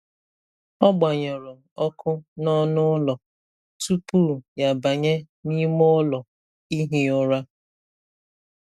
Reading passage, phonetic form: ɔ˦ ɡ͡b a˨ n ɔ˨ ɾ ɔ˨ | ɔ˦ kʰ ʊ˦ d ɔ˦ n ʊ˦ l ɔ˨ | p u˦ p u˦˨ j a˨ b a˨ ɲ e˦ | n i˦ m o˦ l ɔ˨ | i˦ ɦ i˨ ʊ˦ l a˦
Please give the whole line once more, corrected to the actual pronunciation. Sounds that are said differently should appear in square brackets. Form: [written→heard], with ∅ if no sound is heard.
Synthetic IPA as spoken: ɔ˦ ɡ͡b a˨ [n→ɲ] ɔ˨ ɾ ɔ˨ | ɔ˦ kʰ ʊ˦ [d→n] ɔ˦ n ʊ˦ l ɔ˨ | [p→t] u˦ p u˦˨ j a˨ b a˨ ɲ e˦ | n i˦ m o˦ l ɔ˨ | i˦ ɦ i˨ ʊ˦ [l→ɾ] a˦

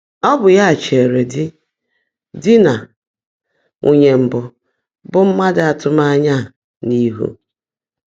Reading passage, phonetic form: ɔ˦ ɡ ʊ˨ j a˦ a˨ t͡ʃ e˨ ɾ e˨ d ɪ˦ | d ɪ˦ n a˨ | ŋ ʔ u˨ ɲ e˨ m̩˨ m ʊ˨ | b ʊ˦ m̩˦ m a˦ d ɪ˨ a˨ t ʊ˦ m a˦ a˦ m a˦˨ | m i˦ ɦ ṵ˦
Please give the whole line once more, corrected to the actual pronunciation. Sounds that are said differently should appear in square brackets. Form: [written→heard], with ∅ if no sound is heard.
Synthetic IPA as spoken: ɔ˦ [ɡ→b] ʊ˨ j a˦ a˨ t͡ʃ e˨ ɾ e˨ d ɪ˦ | d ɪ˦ n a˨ | ŋ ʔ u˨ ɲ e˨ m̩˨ [m→b] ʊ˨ | b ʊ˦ m̩˦ m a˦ d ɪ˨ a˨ t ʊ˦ m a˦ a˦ [m→ɲ] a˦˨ | [m→n] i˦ ɦ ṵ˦

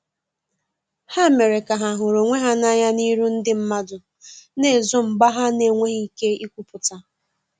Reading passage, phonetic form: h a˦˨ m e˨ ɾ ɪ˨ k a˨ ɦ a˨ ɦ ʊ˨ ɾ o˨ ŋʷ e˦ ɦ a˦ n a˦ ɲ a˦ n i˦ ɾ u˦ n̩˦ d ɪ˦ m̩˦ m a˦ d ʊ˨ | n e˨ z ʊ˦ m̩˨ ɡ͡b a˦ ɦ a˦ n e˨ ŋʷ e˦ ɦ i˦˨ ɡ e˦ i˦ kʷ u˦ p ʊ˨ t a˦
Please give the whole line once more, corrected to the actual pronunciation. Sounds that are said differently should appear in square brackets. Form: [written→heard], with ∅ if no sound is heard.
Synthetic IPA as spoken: h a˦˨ m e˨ ɾ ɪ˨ k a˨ ɦ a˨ ɦ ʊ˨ ɾ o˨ ŋʷ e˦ ɦ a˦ n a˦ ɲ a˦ n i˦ ɾ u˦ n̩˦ d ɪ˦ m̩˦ m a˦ d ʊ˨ | n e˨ z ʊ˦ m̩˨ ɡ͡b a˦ ɦ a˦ n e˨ ŋʷ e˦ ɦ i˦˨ [ɡ→k] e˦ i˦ kʷ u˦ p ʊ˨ t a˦

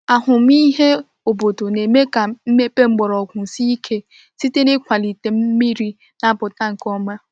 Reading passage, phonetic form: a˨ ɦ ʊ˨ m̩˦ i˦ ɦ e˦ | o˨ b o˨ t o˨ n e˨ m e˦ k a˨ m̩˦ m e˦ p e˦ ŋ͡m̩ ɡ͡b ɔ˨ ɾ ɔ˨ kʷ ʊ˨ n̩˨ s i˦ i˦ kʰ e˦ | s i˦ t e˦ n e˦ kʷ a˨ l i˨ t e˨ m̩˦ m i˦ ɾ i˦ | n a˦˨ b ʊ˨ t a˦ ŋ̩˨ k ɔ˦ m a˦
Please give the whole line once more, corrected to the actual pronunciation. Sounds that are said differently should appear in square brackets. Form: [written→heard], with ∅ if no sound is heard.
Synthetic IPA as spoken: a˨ ɦ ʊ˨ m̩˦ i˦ ɦ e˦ | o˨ b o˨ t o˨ n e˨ m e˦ k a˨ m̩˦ m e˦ p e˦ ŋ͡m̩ ɡ͡b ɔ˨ ɾ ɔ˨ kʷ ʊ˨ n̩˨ s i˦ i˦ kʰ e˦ | s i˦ t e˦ n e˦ kʷ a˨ l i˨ t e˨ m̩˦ m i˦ ɾ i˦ | n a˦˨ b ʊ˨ t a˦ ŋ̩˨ k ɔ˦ m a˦

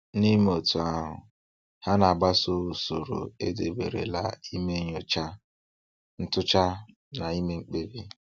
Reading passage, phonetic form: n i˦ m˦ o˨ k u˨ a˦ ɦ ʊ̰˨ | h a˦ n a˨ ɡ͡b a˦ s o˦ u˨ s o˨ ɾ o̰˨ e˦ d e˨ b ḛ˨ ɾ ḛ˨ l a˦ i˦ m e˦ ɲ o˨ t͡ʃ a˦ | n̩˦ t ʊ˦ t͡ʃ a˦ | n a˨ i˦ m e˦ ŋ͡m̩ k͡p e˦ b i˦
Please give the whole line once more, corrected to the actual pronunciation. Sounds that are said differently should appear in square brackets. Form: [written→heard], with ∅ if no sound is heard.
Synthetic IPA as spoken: n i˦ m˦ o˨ [k→t] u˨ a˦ ɦ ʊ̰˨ | h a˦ n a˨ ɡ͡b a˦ s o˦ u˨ s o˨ ɾ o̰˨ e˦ d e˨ b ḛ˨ ɾ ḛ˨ l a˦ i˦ m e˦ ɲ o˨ t͡ʃ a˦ | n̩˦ t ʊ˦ t͡ʃ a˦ | n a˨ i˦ m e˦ ŋ͡m̩ k͡p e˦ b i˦

